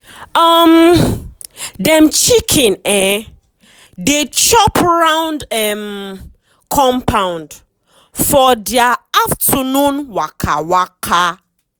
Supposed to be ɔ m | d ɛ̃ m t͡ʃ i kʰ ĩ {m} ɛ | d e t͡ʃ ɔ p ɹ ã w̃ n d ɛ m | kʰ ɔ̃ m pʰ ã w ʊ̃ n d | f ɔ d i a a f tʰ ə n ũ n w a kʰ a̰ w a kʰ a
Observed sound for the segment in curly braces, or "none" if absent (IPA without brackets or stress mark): n